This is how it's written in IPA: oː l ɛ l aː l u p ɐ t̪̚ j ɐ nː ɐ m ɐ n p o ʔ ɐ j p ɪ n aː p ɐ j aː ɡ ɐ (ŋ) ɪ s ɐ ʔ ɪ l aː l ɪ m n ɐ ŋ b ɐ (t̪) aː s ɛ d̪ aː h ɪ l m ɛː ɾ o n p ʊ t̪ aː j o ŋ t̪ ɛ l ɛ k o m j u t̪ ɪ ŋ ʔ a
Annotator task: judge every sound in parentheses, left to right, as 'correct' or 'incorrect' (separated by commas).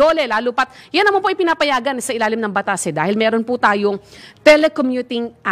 incorrect, correct